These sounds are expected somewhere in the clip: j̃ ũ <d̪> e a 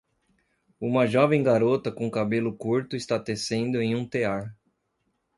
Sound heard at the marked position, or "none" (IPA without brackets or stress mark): t̪